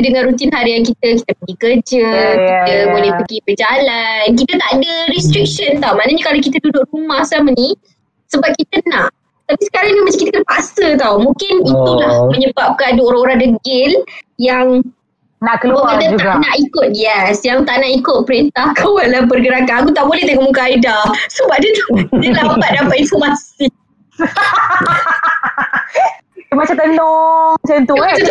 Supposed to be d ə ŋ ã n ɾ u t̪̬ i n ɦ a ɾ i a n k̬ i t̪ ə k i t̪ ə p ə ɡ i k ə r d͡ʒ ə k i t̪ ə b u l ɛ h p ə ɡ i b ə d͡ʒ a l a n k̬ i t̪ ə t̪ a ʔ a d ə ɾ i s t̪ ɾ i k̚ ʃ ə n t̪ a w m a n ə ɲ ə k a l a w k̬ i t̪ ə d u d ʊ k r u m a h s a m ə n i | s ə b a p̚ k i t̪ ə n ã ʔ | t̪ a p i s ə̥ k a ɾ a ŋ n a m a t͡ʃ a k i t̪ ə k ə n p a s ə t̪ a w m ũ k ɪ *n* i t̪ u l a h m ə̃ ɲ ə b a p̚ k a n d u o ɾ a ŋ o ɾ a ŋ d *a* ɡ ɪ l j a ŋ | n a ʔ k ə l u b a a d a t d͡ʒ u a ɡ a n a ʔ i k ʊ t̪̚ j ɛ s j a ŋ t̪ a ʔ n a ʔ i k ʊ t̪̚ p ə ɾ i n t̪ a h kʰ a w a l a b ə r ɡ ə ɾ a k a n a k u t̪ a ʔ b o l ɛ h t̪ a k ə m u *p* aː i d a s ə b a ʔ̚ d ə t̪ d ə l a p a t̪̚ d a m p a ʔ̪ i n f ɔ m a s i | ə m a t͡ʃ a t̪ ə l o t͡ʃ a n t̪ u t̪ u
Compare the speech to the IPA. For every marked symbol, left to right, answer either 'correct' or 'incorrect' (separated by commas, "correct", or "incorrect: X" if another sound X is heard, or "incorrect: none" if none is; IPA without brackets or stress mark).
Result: correct, incorrect: ə, incorrect: k